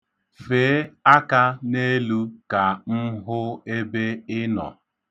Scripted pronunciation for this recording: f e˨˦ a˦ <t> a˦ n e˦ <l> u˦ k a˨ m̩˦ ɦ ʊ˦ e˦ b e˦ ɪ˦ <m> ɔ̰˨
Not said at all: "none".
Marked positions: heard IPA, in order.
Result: k, l, n

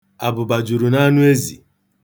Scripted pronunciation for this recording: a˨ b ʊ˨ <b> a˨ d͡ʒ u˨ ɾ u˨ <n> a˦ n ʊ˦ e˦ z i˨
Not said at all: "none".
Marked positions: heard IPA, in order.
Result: b, n

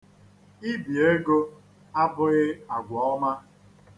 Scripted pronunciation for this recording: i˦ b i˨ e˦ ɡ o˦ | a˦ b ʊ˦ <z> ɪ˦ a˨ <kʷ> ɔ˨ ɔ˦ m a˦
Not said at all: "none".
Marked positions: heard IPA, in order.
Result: ɣ, ɡʷ

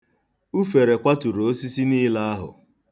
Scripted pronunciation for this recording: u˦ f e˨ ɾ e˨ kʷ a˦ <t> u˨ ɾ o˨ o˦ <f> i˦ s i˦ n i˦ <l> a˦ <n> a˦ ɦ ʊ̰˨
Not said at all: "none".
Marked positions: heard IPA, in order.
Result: t, s, l, none

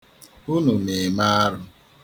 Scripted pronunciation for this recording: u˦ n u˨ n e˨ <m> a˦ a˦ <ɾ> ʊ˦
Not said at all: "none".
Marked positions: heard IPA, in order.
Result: m, ɾ

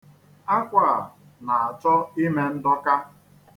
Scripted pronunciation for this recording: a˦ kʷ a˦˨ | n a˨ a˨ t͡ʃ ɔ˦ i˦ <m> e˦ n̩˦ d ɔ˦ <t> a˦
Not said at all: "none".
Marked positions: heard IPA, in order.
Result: m, k

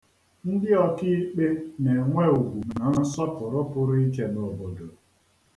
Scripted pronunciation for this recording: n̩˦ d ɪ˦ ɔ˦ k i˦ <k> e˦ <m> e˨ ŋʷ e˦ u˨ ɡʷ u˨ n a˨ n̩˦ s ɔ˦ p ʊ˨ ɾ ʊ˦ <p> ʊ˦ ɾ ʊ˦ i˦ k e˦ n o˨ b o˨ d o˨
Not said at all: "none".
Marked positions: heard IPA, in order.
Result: k͡p, n, p

